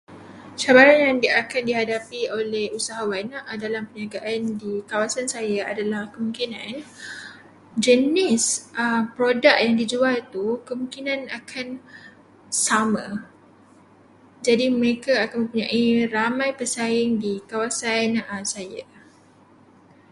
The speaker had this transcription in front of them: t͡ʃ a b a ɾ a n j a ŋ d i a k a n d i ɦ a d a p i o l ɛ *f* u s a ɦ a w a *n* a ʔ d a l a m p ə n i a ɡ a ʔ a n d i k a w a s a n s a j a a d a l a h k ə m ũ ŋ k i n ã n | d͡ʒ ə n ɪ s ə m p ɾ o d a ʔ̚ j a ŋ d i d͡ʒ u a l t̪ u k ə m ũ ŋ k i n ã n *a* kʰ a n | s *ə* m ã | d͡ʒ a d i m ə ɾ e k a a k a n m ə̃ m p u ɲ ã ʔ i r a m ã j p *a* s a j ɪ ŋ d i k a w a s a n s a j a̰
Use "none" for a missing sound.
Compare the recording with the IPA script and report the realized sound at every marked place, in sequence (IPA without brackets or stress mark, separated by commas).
h, n, a, a, ə